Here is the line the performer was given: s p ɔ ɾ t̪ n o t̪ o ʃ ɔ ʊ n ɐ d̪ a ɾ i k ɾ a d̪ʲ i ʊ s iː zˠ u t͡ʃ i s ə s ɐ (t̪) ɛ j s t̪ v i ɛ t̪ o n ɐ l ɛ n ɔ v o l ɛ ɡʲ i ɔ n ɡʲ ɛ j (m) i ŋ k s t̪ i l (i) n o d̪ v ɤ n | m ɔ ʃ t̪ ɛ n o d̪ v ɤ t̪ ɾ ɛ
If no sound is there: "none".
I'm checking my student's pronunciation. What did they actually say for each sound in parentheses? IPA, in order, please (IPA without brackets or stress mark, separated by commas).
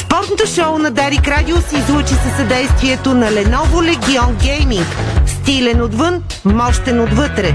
d̪, m, ɛ